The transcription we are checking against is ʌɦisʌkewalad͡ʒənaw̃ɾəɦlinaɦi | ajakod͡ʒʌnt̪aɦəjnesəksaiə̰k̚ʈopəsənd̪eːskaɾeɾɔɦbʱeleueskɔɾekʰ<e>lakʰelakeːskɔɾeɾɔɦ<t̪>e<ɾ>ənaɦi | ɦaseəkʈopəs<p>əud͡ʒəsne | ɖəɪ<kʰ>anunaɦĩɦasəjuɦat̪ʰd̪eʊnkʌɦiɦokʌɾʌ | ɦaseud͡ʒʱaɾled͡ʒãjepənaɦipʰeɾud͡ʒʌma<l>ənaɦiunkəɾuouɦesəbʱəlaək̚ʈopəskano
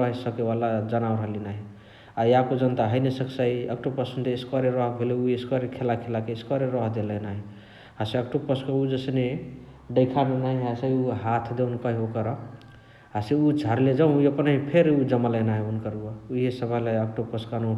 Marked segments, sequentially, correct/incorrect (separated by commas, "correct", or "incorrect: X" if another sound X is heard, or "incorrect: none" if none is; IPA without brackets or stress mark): correct, incorrect: d̪, incorrect: l, incorrect: k, correct, correct